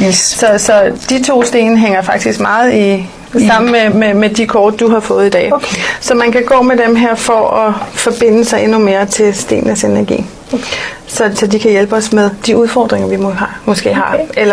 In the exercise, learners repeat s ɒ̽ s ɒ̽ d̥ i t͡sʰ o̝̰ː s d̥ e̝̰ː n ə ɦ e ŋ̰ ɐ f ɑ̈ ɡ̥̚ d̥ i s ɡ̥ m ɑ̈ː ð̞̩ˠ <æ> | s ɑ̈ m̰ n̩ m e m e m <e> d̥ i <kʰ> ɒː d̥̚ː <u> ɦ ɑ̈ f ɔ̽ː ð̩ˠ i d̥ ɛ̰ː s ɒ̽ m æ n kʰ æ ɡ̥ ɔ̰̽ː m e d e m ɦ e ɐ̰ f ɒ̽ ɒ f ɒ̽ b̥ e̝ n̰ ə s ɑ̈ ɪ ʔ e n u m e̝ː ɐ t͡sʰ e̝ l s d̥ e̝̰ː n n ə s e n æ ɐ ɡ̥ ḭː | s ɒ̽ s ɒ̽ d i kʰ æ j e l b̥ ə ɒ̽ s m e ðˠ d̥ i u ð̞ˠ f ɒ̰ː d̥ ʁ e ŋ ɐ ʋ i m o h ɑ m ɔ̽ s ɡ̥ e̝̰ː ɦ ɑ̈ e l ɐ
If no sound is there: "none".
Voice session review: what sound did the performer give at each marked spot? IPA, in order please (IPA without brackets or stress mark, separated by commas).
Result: i, e, kʰ, u